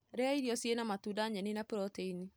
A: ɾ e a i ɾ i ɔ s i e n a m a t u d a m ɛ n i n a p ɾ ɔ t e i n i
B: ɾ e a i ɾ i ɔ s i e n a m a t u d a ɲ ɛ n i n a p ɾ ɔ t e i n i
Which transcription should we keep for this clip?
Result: B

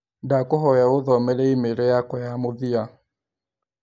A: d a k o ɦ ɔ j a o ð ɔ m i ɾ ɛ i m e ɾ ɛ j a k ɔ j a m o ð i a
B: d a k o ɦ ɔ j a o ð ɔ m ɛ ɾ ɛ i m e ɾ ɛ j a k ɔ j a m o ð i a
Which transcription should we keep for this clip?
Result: B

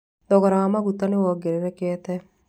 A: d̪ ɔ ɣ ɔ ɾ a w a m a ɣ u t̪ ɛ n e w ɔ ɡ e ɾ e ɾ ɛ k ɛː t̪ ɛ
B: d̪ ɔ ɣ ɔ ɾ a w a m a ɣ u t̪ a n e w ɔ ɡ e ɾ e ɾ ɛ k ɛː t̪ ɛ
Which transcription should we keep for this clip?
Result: B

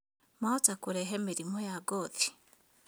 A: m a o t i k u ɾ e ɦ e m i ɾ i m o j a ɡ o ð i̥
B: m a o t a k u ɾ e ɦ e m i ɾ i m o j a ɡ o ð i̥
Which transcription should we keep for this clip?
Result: B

